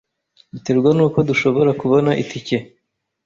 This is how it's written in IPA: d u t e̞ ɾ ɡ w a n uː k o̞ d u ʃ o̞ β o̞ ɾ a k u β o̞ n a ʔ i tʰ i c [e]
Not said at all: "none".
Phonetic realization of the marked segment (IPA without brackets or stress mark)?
e